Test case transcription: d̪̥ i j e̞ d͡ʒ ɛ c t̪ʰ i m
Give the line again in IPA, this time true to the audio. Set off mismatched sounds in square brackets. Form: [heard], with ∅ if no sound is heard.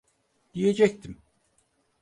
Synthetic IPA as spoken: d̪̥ i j e̞ d͡ʒ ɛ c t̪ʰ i m